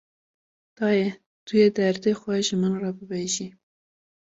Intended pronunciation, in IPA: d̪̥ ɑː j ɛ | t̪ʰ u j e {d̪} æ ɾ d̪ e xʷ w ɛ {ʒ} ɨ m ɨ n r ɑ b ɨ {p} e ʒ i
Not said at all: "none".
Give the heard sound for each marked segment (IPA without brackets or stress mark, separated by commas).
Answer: d̪, ʒ, b